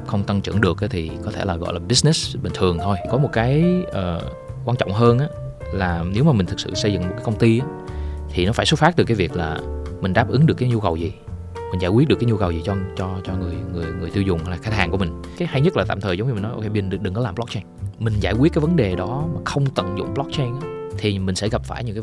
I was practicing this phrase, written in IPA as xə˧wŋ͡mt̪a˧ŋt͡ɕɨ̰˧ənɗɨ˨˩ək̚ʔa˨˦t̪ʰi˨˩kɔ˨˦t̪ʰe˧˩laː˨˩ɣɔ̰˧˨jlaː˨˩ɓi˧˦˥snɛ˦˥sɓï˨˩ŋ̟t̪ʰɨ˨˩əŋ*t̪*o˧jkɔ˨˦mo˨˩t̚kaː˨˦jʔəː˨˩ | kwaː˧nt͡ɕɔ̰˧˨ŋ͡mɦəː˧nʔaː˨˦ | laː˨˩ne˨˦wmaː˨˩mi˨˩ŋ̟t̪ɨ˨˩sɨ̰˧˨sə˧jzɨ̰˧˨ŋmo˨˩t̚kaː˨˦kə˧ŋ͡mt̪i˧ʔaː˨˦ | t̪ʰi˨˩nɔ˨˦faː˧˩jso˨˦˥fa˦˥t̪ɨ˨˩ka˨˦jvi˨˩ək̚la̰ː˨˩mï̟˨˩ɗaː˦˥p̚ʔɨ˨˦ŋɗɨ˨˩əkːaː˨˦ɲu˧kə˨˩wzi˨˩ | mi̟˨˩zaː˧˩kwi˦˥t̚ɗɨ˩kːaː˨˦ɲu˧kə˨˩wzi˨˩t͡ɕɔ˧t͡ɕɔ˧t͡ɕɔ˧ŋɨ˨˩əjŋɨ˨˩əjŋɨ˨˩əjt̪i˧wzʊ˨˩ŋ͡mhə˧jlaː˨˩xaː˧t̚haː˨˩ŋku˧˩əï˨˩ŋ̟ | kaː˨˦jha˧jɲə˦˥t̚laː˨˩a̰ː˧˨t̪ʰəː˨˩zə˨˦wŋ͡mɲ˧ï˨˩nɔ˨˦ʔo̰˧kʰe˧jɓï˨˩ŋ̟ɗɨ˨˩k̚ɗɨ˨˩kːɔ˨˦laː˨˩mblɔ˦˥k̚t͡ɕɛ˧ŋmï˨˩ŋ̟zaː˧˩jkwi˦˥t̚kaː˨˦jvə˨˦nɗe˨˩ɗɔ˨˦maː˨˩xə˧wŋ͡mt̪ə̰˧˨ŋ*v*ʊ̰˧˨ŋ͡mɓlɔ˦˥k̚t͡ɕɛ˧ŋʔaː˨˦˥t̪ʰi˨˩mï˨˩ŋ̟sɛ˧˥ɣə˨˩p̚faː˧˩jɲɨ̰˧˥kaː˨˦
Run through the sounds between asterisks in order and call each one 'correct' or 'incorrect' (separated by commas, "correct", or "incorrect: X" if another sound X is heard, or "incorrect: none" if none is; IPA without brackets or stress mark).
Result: incorrect: t̪ʰ, incorrect: z